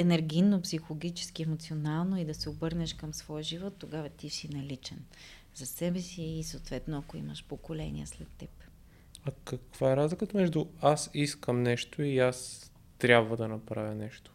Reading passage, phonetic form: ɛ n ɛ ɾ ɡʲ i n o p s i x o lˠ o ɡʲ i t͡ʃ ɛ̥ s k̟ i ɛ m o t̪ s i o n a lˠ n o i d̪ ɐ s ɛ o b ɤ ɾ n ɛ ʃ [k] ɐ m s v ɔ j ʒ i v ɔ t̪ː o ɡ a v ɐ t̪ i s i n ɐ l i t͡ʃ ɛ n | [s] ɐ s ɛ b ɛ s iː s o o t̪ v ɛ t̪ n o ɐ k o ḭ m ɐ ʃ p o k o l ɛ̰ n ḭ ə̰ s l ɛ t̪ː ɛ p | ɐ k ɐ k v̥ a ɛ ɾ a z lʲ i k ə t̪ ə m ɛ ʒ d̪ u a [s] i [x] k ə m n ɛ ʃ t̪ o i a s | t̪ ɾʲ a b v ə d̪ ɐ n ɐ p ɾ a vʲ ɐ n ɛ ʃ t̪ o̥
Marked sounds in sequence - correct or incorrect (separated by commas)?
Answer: correct, incorrect, correct, incorrect